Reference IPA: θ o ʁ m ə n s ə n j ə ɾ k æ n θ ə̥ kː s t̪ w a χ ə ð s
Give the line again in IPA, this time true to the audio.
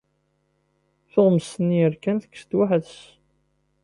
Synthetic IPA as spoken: θ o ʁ m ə s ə n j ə ɾ k æ n θ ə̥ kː s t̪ w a ħ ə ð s